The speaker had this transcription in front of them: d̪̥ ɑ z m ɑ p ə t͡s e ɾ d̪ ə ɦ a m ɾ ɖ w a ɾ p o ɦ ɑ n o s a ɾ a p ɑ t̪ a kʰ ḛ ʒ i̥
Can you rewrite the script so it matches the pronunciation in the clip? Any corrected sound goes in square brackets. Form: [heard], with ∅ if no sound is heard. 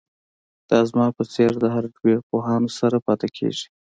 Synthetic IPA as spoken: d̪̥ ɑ z m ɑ p ə t͡s e ɾ d̪ ə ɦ a [∅] ɾ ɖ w [e] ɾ p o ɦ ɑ n o s a ɾ a p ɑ t̪ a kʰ ḛ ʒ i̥